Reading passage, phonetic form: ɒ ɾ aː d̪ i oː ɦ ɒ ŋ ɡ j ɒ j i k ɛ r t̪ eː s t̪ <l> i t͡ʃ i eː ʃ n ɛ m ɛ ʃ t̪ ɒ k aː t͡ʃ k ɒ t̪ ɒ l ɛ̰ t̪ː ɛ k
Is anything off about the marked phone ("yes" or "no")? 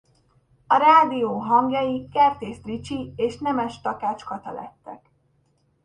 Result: yes